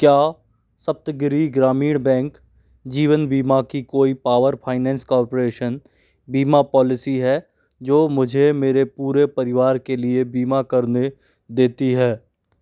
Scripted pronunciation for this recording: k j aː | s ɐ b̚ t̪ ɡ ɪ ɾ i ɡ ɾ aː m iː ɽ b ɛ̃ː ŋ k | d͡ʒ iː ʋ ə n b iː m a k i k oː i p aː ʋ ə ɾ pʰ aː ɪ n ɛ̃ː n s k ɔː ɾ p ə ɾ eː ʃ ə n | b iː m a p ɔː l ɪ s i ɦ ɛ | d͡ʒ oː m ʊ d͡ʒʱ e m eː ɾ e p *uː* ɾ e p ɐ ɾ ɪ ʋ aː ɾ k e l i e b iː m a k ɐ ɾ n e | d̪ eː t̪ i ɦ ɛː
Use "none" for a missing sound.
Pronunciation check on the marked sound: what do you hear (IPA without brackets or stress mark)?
uː